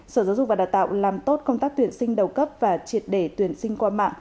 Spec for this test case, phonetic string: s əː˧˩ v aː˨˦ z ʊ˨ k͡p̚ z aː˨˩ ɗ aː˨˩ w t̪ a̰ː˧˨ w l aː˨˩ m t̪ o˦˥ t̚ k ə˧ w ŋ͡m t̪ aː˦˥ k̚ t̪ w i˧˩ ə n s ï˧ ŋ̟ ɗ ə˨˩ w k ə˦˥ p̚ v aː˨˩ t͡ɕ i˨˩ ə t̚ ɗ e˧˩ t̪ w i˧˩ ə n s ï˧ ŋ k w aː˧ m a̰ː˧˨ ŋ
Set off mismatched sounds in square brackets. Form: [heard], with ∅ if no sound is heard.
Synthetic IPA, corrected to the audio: s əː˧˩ [z] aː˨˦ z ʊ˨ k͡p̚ [v] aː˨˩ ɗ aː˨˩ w t̪ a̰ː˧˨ w l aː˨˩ m t̪ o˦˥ t̚ k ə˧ w ŋ͡m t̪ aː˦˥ k̚ t̪ w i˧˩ ə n s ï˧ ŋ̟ ɗ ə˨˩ w k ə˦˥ p̚ v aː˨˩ t͡ɕ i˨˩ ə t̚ ɗ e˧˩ t̪ w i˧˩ ə n s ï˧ ŋ k w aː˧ m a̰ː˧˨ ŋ